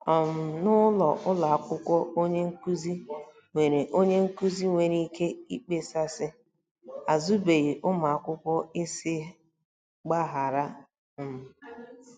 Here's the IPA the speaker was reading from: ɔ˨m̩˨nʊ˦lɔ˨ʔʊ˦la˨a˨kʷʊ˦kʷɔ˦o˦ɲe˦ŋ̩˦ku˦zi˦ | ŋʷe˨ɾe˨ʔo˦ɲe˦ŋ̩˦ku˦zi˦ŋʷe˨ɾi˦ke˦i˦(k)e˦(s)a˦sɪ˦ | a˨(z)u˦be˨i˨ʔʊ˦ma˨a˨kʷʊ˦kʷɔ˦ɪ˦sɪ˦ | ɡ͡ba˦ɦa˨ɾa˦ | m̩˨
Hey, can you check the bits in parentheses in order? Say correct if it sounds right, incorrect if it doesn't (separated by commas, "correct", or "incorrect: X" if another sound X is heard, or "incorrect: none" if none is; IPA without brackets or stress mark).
incorrect: k͡p, correct, correct